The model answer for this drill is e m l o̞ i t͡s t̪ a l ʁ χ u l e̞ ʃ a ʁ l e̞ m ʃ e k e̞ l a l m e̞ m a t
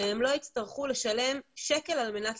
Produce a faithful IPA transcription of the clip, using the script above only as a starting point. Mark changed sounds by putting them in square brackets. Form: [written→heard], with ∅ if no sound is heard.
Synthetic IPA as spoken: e m l o̞ i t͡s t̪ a [l→∅] ʁ χ u l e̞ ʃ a [ʁ→∅] l e̞ m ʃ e k e̞ l a l m e̞ [m→n] a t